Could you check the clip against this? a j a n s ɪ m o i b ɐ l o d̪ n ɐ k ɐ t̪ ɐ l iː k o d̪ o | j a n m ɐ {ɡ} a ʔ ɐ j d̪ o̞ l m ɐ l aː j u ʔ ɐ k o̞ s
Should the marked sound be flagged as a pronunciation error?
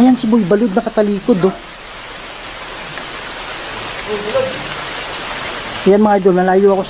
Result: yes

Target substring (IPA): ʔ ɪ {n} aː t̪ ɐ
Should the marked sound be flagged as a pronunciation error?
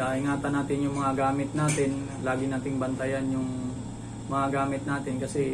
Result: yes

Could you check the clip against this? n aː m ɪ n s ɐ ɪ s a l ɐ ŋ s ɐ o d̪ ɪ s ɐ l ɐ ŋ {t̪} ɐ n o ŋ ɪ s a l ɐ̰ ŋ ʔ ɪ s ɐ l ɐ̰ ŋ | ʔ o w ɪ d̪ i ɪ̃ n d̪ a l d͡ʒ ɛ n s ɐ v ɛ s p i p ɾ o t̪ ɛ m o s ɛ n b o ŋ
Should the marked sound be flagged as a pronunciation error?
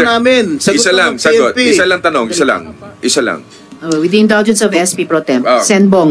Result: no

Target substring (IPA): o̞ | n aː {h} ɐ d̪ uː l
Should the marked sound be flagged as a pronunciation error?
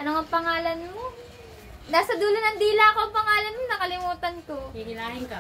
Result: yes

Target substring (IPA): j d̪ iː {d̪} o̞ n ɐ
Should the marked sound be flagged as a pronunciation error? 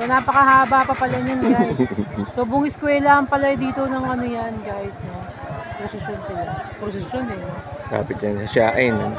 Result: yes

